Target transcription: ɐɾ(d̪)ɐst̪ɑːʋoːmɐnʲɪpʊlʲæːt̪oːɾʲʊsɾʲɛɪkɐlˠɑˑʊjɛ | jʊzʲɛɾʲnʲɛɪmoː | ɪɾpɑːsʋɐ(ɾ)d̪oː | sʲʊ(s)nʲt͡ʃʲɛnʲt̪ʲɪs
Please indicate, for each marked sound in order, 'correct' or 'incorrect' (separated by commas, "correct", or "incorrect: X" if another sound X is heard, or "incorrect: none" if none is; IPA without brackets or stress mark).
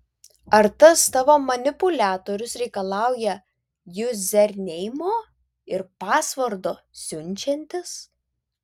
incorrect: t̪, correct, incorrect: none